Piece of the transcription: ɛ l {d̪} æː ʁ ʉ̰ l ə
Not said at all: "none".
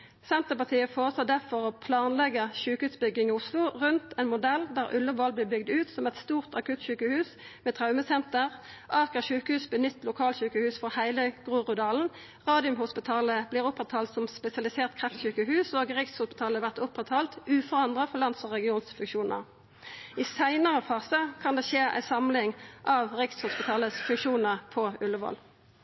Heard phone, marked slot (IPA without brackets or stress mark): d̪